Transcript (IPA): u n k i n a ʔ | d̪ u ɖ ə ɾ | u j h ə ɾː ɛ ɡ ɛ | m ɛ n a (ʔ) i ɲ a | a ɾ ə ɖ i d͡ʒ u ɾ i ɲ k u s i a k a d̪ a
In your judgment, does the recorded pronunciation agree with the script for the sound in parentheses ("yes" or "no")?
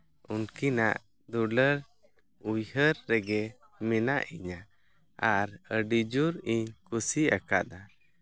yes